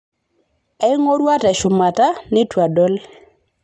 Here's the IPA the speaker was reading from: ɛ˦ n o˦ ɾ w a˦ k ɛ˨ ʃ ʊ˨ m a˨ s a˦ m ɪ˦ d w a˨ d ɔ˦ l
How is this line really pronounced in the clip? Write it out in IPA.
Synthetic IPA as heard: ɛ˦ ŋ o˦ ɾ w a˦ t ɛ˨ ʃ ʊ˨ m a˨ t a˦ n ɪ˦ t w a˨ d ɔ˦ l